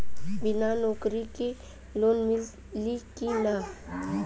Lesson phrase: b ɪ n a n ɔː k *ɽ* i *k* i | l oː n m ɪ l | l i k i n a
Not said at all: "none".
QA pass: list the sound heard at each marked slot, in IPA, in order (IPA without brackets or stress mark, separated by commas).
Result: ɾ, k